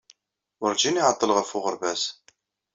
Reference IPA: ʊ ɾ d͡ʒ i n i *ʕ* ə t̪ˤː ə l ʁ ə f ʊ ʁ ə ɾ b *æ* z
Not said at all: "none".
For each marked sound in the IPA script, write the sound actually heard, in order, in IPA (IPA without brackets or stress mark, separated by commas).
ʕ, æ